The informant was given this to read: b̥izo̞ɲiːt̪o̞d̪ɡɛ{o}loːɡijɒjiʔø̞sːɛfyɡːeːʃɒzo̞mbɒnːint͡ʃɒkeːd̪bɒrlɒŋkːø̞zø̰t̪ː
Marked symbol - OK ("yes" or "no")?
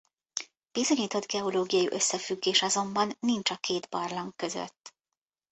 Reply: yes